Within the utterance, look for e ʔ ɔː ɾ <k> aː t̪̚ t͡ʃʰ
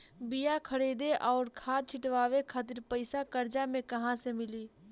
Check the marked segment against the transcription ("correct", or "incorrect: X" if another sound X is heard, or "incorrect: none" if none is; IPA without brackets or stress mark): incorrect: kʰ